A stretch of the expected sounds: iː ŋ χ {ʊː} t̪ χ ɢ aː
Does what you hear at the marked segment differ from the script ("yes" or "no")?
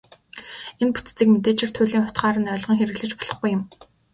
yes